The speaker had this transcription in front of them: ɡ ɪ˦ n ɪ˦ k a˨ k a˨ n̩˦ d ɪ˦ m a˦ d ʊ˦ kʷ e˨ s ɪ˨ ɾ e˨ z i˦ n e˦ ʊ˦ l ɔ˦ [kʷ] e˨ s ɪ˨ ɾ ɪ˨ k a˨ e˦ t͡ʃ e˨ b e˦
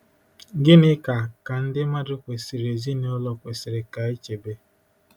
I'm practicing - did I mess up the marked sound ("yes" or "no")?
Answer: no